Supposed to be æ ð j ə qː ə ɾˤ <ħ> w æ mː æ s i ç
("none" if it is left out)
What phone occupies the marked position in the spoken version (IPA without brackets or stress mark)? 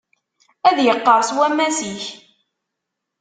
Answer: s